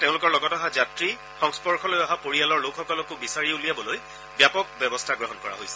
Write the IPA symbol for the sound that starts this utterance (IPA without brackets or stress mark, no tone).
t